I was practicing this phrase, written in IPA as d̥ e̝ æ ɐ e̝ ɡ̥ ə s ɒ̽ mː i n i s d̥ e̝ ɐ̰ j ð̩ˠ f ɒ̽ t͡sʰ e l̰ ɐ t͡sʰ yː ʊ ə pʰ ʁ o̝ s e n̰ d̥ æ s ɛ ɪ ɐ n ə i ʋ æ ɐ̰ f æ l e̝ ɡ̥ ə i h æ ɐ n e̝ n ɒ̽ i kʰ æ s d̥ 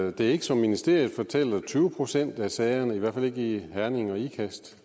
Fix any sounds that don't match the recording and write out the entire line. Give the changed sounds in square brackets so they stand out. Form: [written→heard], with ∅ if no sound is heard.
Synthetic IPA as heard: d̥ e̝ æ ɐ e̝ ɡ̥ ə s ɒ̽ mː i n i s d̥ e̝ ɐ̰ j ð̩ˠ f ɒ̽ t͡sʰ e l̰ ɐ t͡sʰ yː ʊ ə pʰ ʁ o̝ s e n̰ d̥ æ s ɛ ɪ ɐ n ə i ʋ æ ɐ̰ f æ l e̝ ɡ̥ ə i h æ ɐ n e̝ [n→ŋ] ɒ̽ i kʰ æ s d̥

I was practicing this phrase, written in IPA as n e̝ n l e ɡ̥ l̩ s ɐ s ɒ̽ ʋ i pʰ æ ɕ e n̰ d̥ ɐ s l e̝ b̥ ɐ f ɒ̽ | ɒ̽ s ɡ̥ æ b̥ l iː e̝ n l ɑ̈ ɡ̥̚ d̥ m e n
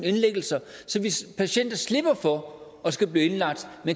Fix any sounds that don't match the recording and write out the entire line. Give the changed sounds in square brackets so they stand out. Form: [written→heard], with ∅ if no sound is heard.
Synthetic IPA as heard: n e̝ n l e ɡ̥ l̩ s ɐ s ɒ̽ ʋ i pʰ æ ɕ e n̰ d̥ ɐ s l e̝ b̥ ɐ f ɒ̽ | ɒ̽ s ɡ̥ æ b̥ l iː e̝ n l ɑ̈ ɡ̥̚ d̥ m e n

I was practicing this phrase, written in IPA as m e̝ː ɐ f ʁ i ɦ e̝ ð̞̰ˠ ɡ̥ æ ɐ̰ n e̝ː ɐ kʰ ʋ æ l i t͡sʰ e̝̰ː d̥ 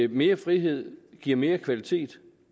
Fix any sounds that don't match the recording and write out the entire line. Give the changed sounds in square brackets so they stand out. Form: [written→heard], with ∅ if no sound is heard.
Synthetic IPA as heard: m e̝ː ɐ f ʁ i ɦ e̝ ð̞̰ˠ ɡ̥ [æ→i] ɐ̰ [n→m] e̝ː ɐ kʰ ʋ æ l i t͡sʰ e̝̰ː d̥

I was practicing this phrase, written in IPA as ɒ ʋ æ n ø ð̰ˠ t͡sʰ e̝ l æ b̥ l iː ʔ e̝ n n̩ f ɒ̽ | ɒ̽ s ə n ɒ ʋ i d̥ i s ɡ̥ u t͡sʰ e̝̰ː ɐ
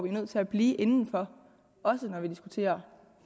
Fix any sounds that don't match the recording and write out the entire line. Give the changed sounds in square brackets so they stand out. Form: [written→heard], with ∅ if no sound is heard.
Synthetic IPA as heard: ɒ ʋ [æ→i] n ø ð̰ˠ t͡sʰ e̝ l æ b̥ l iː ʔ e̝ n n̩ f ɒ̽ | ɒ̽ s ə n ɒ ʋ i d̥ i s ɡ̥ u t͡sʰ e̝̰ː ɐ

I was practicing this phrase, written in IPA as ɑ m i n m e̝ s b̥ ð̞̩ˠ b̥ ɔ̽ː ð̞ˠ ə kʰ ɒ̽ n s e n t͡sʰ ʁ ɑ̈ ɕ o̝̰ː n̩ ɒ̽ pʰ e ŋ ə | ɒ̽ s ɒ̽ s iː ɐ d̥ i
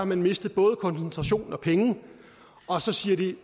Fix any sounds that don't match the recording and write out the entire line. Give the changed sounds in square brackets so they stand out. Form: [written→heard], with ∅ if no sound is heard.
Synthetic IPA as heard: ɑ m [i→æ] n m e̝ s [b̥→d̥] ð̞̩ˠ b̥ ɔ̽ː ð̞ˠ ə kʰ ɒ̽ n s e n t͡sʰ ʁ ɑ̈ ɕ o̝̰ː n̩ ɒ̽ pʰ e ŋ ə | ɒ̽ s ɒ̽ s iː ɐ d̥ i

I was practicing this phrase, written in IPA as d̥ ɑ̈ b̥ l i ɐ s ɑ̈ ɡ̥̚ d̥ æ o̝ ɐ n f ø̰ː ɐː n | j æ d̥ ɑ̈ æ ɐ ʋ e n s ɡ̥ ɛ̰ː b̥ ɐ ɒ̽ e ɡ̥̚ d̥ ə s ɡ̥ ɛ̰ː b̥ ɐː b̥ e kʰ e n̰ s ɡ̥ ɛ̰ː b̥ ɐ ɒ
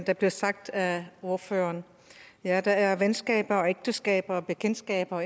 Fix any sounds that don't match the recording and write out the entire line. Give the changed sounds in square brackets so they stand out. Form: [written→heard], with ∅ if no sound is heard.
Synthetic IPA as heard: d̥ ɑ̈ b̥ l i ɐ s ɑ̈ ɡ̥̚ d̥ æ o̝ ɐ [n→∅] f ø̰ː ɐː n | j æ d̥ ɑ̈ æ ɐ ʋ e n s ɡ̥ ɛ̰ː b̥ ɐ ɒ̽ e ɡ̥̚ d̥ ə s ɡ̥ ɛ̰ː b̥ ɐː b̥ e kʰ e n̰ s ɡ̥ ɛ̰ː b̥ ɐ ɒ

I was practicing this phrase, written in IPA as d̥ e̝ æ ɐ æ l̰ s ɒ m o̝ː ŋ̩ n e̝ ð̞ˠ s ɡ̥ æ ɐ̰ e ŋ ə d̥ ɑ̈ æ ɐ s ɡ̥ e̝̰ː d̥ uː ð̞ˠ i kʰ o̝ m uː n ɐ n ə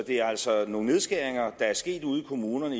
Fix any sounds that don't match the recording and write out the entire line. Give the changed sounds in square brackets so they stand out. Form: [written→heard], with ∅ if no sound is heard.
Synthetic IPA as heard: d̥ e̝ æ ɐ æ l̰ s ɒ [m→n] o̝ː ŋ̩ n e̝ ð̞ˠ s ɡ̥ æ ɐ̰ e ŋ [ə→ɐ] d̥ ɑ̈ æ ɐ s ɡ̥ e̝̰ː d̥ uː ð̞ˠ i kʰ o̝ m uː n ɐ n ə

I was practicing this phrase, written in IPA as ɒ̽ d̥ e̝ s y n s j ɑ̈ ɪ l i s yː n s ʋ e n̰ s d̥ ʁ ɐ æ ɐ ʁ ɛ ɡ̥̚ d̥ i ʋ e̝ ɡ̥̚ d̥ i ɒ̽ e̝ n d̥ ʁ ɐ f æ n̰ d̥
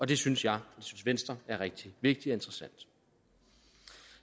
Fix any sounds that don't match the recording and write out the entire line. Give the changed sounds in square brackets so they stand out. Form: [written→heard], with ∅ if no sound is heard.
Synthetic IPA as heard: ɒ̽ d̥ e̝ s y n s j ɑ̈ ɪ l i s [yː→y] n s ʋ e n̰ s d̥ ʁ ɐ æ ɐ ʁ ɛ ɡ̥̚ d̥ i ʋ e̝ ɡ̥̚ d̥ i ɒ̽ e̝ n d̥ ʁ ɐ [f→s] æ n̰ d̥

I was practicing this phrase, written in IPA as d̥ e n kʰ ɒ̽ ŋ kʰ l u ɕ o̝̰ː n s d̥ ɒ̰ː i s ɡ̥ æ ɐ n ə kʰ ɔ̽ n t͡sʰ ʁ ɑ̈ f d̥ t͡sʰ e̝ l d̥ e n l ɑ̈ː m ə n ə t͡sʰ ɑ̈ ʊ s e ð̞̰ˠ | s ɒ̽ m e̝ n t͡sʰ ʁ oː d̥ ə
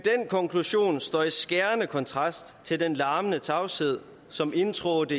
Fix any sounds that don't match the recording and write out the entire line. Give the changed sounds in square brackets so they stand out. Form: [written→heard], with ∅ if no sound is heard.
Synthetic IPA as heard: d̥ e n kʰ ɒ̽ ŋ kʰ l u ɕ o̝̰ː n s d̥ ɒ̰ː i s ɡ̥ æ ɐ n ə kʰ [ɔ̽→ɒ̽] n t͡sʰ ʁ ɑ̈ [f→s] d̥ t͡sʰ e̝ l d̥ e n l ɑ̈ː m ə n ə t͡sʰ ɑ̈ ʊ s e ð̞̰ˠ | s ɒ̽ m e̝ n t͡sʰ ʁ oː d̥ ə

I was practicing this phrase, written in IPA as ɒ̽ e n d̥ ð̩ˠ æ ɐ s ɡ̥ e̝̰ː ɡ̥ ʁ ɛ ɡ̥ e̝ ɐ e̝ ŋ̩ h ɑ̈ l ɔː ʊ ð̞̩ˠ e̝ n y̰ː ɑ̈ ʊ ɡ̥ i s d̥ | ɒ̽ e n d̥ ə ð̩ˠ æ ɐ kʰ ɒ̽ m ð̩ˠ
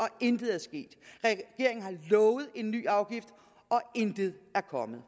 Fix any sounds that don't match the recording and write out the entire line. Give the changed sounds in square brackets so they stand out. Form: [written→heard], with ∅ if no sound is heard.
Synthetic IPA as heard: ɒ̽ e n d̥ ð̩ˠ æ ɐ s ɡ̥ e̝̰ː [ɡ̥→d̥] ʁ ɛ ɡ̥ e̝ ɐ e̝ ŋ̩ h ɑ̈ l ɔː ʊ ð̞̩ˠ e̝ [n→nː] y̰ː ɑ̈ ʊ ɡ̥ i [s→f] d̥ | ɒ̽ e n d̥ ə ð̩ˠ æ ɐ kʰ ɒ̽ m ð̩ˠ

